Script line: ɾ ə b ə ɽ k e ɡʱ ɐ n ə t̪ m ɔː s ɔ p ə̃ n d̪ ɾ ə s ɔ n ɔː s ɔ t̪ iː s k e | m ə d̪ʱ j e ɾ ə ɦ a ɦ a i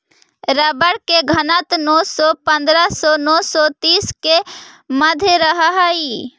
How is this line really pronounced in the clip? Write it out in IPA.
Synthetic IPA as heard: ɾ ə b ə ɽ k e ɡʱ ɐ n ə t̪ n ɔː s ɔ p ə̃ n d̪ ɾ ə s ɔ n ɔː s ɔ t̪ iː s k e | m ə d̪ʱ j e ɾ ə ɦ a ɦ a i